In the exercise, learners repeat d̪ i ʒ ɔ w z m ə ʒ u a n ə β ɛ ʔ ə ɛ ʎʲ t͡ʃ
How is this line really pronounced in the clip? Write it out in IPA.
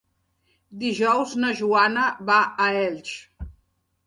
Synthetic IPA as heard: d̪ i ʒ ɔ w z n ə ʒ u a n ə β a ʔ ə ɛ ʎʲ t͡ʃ